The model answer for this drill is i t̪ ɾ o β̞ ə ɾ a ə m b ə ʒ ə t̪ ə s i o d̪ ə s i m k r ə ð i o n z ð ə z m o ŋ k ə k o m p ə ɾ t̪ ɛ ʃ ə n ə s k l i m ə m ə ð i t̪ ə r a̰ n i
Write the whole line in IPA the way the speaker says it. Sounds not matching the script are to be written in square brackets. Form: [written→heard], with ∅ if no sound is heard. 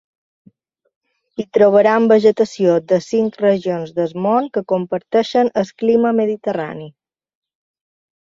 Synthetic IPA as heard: i t̪ ɾ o β̞ ə ɾ a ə m b ə ʒ ə t̪ ə s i o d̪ ə s i [m→ŋ] k r ə [ð→ʒ] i o n z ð ə z m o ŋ k ə k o m p ə ɾ t̪ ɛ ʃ ə n ə s k l i m ə m ə ð i t̪ ə r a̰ n i